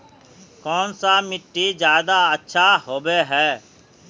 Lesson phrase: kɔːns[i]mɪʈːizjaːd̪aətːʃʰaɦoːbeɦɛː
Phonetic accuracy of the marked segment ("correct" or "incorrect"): incorrect